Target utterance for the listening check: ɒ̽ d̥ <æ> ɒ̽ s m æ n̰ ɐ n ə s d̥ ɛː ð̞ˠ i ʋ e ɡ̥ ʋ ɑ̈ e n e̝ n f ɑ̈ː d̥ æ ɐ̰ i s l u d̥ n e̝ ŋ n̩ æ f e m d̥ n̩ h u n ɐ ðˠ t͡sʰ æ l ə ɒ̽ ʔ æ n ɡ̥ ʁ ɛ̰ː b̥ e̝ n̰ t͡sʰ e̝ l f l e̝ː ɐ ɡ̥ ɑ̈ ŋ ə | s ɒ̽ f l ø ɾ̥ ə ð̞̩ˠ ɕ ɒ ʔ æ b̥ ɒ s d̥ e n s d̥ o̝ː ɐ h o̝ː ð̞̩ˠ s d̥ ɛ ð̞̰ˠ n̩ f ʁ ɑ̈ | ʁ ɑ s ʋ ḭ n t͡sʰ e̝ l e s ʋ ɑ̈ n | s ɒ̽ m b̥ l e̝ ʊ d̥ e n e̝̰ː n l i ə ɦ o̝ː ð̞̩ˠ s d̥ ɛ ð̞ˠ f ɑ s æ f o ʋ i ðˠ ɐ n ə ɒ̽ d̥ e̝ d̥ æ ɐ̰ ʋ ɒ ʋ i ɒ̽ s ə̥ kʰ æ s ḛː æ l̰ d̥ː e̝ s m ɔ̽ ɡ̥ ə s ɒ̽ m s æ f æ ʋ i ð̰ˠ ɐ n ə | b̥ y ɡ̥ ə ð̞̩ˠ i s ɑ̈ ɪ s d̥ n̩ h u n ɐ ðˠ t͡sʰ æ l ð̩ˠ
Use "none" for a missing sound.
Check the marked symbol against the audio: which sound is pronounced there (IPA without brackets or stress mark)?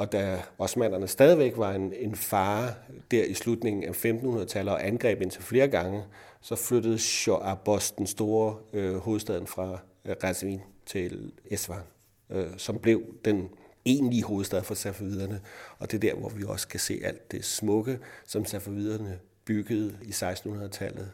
æ